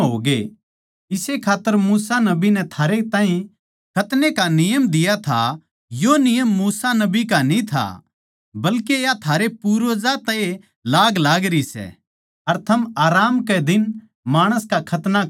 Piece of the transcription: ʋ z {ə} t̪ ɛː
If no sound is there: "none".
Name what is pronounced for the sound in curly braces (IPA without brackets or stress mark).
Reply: a